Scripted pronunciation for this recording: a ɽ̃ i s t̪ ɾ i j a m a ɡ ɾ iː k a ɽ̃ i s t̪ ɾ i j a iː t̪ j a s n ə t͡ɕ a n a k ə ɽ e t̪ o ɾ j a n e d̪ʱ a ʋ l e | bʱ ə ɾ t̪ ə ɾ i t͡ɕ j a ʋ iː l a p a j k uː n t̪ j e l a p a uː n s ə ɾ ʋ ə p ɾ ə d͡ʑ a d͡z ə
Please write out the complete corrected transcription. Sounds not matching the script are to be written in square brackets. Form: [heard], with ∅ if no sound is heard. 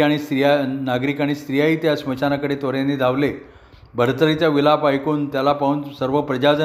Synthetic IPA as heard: a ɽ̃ i s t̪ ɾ i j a [n] a ɡ ɾ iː k a ɽ̃ i s t̪ ɾ i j a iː t̪ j a s [m] ə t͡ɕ a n a k ə ɽ e t̪ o ɾ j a n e d̪ʱ a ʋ l e | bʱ ə ɾ t̪ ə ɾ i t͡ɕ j a ʋ [i] l a p a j k uː n t̪ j [a] l a p a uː n s ə ɾ ʋ ə p ɾ ə d͡ʑ a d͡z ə